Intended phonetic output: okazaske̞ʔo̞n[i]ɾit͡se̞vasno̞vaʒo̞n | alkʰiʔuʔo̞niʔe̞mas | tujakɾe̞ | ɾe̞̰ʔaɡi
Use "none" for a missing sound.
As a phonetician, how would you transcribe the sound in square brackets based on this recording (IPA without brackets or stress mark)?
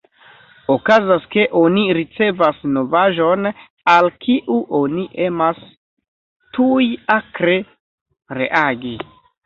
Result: i